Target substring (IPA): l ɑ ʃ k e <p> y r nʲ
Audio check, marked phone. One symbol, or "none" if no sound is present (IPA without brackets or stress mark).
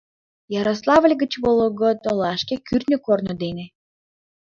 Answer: k